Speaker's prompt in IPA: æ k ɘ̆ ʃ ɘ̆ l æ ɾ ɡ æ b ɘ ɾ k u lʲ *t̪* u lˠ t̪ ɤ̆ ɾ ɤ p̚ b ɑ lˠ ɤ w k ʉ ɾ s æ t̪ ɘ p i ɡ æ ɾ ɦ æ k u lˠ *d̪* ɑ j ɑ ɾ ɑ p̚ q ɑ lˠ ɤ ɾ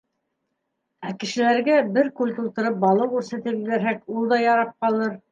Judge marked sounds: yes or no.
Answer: yes, yes

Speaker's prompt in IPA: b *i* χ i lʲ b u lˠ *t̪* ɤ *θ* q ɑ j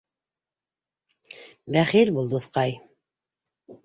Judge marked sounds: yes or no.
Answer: no, no, yes

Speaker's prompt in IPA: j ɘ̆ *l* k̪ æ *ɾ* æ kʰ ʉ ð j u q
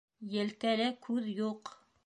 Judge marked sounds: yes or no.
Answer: yes, no

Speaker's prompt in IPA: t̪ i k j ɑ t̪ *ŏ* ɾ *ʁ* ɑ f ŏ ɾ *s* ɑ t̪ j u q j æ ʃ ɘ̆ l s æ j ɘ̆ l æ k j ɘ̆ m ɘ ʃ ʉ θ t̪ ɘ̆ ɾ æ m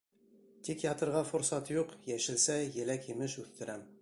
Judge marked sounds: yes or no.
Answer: no, yes, yes

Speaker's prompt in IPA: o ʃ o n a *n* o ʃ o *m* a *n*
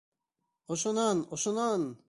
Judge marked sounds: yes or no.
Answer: yes, no, yes

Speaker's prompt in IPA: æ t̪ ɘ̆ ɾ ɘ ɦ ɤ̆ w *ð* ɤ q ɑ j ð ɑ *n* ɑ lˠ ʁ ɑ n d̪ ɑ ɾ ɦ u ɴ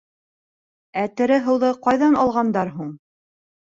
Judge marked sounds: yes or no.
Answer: yes, yes

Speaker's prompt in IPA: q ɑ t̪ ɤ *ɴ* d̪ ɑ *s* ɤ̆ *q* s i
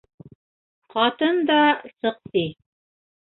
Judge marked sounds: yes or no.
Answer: no, yes, yes

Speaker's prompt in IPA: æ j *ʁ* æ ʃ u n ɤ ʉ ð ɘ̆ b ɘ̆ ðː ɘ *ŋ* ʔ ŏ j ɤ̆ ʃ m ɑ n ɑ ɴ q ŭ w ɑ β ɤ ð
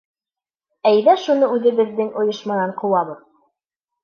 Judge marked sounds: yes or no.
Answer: no, yes

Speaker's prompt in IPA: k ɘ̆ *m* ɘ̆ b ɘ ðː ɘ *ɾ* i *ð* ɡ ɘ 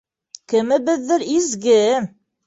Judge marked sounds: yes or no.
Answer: yes, yes, no

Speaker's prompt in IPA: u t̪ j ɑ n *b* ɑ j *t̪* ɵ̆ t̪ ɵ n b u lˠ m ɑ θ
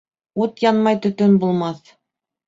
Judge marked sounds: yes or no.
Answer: no, yes

